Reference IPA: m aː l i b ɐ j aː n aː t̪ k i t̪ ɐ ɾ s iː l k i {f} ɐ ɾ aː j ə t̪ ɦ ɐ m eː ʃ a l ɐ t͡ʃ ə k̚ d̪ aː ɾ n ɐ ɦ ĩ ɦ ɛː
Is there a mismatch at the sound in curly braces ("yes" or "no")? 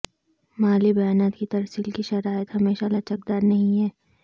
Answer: yes